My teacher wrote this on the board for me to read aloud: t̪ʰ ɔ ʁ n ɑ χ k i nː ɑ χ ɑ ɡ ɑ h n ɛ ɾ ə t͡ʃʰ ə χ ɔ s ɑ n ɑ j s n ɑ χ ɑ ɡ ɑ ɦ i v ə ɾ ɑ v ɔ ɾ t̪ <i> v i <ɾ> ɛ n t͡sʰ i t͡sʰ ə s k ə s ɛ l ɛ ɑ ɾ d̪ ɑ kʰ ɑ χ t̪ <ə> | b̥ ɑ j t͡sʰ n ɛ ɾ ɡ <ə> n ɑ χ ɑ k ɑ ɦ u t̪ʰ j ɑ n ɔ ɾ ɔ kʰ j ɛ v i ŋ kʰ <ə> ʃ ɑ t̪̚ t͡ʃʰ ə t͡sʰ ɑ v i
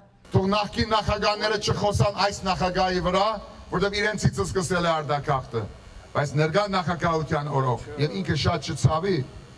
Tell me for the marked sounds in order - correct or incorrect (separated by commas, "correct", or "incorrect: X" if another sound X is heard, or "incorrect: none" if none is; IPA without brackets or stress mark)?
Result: incorrect: ɛ, correct, correct, incorrect: ɑ, correct